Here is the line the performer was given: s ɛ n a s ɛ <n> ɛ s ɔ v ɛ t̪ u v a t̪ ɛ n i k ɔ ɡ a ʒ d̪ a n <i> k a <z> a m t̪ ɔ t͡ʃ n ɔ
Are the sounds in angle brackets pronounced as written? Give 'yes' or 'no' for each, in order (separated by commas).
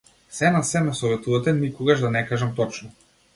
no, no, no